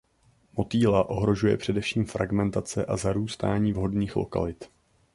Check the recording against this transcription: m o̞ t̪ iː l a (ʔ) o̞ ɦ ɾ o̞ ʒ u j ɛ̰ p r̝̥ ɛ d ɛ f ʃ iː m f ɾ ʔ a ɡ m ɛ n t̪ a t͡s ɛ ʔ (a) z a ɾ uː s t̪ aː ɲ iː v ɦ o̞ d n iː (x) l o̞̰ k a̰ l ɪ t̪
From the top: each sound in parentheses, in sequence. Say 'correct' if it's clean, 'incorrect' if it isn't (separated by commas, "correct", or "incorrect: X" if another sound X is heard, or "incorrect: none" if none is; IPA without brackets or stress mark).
correct, correct, correct